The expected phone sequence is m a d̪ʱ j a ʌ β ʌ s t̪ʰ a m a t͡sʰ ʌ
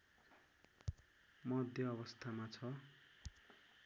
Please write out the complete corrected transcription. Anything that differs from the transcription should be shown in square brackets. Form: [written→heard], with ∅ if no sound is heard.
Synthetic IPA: m [a→ʌ] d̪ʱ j [a→ʌ] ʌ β ʌ s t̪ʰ a m a t͡sʰ ʌ